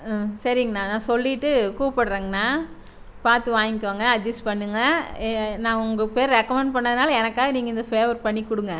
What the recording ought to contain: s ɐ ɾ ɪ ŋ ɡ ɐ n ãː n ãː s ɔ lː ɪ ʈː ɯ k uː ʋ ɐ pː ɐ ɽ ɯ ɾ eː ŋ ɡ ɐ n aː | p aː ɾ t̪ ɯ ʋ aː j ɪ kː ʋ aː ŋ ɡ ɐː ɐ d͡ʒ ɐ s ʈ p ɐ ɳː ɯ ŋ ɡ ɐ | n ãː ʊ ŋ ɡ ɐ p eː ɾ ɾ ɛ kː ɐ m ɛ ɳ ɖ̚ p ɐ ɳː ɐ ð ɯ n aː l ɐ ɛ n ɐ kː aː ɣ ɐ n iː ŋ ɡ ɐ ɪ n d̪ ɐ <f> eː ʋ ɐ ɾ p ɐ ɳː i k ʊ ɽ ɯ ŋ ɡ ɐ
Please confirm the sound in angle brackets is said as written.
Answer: yes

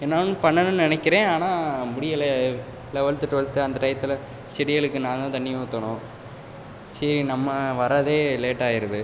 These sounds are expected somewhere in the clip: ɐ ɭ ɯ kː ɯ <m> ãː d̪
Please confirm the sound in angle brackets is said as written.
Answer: no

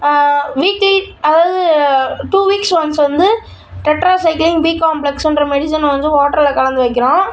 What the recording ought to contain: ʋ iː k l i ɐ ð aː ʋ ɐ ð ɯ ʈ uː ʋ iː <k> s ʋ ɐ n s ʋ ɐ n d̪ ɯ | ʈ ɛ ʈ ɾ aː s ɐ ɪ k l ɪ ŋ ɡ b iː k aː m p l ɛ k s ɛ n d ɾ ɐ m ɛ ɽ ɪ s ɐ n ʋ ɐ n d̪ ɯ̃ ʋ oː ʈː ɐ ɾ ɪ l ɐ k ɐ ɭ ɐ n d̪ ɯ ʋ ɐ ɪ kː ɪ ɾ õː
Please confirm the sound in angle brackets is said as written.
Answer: yes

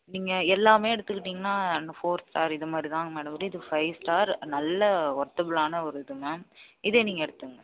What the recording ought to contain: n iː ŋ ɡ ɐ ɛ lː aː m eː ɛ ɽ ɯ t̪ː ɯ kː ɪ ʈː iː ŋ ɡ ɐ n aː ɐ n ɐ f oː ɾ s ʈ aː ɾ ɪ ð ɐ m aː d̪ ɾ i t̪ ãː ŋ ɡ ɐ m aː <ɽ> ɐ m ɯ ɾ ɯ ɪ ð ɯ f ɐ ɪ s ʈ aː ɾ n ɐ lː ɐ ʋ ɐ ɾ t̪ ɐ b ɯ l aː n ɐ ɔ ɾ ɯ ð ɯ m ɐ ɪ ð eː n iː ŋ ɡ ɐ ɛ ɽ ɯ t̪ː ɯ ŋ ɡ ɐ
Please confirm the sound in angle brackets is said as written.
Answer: yes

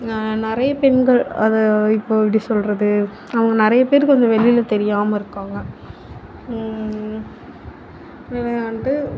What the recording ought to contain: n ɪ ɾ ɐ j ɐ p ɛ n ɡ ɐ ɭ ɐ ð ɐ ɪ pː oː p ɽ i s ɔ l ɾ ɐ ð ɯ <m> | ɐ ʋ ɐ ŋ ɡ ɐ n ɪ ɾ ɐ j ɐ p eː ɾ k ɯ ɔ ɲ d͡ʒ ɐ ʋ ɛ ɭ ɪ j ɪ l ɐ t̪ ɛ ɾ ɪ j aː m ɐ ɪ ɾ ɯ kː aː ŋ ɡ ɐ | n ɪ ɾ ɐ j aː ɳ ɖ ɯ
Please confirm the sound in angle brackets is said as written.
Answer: no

